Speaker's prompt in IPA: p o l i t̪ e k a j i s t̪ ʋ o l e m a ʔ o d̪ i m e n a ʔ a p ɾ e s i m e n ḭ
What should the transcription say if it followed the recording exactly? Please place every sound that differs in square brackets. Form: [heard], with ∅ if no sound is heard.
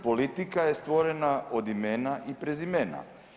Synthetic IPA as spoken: p o l i t̪ [i] k a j [e] s t̪ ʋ o [ɾ] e [n] a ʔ o d̪ i m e n a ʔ [i] p ɾ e [z] i m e n [a̰]